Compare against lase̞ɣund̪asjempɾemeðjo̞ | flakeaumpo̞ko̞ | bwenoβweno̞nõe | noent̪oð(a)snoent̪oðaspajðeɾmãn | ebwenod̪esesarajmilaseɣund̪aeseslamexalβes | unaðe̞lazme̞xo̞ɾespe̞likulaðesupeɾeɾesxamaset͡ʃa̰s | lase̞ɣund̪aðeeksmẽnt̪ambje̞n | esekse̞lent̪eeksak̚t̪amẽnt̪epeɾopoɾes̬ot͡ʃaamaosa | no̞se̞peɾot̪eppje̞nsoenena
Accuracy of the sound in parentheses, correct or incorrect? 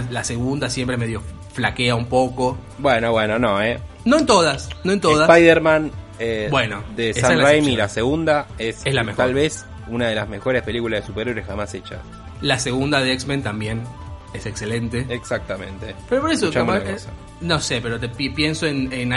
correct